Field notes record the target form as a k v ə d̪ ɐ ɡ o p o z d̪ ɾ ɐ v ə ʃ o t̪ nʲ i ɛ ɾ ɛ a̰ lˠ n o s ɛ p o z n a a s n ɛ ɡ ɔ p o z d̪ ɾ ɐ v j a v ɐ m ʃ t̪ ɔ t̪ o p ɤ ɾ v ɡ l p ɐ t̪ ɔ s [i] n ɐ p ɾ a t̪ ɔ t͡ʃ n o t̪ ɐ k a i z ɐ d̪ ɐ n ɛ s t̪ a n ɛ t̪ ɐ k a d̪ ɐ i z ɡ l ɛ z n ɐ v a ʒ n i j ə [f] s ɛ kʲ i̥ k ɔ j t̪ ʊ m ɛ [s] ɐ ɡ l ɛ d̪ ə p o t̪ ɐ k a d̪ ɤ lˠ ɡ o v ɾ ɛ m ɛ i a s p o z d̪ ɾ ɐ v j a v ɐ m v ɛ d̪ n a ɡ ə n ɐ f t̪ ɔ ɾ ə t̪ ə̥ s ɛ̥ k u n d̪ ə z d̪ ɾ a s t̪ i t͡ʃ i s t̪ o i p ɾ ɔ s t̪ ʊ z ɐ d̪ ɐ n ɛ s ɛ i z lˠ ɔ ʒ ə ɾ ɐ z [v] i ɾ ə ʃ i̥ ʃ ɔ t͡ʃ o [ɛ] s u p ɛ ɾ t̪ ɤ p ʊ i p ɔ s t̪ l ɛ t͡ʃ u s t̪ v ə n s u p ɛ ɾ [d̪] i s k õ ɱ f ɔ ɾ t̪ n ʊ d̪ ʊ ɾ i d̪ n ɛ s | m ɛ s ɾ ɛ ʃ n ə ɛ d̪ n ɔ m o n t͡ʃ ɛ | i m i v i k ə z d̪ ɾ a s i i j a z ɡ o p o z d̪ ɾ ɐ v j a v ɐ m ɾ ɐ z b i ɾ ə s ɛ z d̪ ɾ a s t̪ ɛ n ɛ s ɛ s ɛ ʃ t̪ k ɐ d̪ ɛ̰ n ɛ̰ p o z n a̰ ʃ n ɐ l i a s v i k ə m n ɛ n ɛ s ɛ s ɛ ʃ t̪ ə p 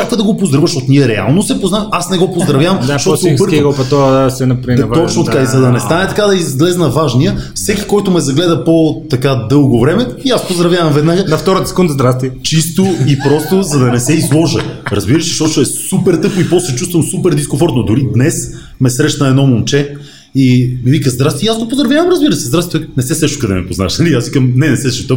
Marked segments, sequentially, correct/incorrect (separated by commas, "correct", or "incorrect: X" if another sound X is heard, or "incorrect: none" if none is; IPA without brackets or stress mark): incorrect: ɛ, correct, incorrect: z, incorrect: b, correct, correct